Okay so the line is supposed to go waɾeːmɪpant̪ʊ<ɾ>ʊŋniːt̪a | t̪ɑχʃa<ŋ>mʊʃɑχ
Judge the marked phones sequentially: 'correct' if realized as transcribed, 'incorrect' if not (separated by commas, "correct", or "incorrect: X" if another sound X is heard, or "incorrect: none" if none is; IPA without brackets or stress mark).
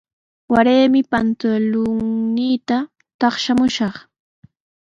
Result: incorrect: l, incorrect: none